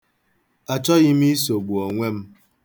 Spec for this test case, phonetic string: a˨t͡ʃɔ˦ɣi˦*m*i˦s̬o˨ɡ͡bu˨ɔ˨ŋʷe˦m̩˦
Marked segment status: correct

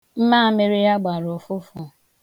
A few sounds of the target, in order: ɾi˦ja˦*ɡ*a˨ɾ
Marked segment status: incorrect: ɡ͡b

